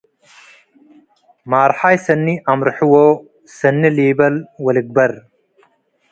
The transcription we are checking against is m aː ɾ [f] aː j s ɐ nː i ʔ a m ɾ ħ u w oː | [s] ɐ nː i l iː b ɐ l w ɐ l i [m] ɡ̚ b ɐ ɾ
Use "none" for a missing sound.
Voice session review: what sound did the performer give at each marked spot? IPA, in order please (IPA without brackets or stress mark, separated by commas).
ħ, s, none